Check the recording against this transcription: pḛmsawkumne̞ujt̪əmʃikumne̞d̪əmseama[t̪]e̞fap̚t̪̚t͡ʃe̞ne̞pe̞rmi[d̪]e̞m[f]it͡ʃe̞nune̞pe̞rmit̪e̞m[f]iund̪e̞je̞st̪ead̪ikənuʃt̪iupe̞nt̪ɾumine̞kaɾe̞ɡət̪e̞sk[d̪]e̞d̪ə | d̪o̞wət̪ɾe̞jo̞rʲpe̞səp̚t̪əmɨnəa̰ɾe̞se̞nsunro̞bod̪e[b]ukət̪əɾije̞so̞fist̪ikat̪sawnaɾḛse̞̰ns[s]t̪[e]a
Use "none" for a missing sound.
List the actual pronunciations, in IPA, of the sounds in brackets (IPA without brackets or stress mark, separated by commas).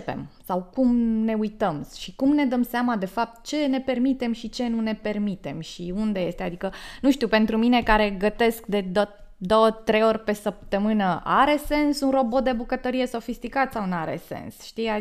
d̪, t̪, ʃ, ʃ, d̪, b, ʃ, i